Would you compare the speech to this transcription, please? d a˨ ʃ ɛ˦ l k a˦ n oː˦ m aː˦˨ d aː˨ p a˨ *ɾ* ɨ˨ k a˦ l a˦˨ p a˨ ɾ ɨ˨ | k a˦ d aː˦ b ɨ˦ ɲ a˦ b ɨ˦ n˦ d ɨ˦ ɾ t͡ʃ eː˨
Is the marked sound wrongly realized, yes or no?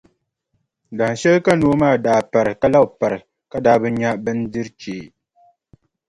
no